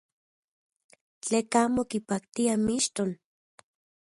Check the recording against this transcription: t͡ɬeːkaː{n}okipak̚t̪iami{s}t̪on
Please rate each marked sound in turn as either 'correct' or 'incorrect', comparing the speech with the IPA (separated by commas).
incorrect, incorrect